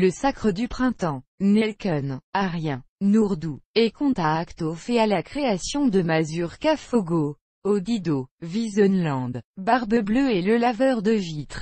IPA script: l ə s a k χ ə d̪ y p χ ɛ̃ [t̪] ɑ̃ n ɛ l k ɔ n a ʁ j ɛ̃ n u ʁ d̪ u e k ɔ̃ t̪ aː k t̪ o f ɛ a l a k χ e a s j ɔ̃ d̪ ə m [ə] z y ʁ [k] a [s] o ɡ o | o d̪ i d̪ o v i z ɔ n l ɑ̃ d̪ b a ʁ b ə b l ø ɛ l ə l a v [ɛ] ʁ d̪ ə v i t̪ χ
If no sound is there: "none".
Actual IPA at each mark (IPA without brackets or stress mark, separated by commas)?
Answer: t̪, a, k, f, œ